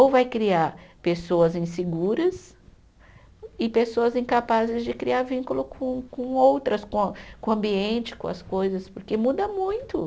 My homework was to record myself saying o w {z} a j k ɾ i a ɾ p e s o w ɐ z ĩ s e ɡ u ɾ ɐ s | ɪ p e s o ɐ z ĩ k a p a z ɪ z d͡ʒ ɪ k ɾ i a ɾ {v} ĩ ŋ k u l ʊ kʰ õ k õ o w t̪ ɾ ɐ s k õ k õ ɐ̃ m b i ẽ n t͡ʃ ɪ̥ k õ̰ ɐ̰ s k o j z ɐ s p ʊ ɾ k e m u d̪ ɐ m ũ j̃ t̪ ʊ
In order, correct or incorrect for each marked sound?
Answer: incorrect, correct

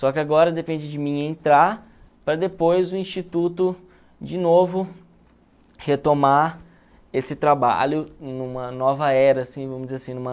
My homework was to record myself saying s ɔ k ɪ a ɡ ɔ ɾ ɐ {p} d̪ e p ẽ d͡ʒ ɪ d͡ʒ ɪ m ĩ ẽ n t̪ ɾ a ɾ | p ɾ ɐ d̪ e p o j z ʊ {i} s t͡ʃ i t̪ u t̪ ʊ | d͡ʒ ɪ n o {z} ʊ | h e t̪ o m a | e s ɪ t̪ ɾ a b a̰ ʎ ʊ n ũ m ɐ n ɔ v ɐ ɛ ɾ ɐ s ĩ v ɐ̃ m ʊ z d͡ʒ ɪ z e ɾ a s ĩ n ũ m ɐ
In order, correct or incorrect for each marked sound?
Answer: incorrect, incorrect, incorrect

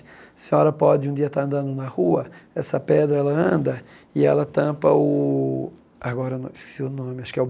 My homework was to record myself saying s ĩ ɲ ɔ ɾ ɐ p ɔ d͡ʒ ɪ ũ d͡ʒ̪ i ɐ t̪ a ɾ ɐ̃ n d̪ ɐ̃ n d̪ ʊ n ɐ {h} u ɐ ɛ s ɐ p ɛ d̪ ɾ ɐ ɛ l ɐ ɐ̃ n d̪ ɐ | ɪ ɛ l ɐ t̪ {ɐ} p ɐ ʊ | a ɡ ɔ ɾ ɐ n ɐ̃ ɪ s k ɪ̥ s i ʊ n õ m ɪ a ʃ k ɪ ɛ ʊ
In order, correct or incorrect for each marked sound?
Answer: correct, incorrect

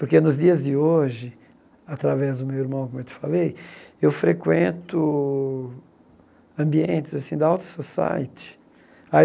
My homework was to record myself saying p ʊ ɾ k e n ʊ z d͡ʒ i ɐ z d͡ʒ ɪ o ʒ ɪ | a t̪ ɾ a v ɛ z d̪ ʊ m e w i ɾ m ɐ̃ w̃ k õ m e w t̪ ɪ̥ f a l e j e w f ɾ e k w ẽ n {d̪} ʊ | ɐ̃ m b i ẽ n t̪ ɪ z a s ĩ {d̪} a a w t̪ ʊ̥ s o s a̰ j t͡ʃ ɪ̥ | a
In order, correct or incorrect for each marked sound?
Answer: incorrect, correct

